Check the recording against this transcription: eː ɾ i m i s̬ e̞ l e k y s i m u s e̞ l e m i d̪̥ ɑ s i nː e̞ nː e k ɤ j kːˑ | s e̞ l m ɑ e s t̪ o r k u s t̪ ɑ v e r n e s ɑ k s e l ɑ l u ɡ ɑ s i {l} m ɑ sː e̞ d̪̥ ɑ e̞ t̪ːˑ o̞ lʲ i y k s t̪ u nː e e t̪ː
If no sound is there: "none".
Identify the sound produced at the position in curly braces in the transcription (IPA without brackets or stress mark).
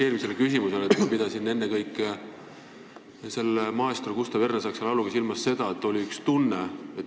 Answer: l